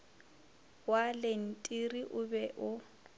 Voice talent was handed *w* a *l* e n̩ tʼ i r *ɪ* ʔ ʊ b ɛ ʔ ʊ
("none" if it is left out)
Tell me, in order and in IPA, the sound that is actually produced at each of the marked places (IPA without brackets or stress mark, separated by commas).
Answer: w, l, i